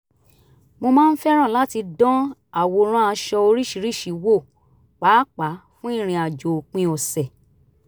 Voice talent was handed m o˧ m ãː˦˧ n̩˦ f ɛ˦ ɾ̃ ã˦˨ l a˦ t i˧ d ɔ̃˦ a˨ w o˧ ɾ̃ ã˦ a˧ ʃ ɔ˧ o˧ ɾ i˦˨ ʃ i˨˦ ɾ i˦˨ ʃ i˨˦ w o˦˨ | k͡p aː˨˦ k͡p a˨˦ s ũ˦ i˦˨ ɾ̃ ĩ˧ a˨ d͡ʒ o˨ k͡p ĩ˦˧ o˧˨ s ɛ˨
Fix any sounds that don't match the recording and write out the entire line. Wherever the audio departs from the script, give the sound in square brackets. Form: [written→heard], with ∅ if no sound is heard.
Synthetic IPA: m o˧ m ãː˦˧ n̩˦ f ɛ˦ ɾ̃ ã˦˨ l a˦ t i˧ d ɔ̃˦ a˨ w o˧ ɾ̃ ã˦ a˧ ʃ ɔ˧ o˧ ɾ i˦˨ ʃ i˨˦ ɾ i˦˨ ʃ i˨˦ w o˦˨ | k͡p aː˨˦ k͡p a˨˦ [s→f] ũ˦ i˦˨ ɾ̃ ĩ˧ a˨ d͡ʒ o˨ k͡p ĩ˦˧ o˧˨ s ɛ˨